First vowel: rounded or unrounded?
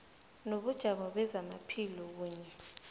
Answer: rounded